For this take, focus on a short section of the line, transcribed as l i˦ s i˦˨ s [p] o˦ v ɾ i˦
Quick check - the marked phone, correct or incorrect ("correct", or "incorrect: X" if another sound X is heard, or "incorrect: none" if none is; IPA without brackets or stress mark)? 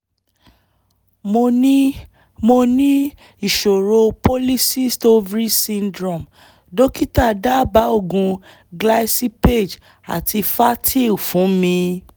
incorrect: t